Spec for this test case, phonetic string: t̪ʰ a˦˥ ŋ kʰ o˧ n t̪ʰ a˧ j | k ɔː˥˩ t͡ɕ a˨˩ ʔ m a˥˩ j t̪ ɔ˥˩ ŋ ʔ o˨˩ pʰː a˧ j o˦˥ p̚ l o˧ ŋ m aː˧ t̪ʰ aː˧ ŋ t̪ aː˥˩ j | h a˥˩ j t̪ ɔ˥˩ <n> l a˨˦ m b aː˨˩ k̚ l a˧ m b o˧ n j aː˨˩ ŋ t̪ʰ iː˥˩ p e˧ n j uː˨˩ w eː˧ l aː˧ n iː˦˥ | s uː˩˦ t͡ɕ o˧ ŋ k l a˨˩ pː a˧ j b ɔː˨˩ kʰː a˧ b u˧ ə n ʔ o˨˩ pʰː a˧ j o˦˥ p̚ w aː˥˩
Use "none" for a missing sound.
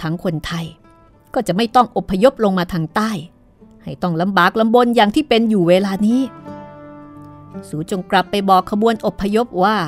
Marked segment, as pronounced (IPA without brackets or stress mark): ŋ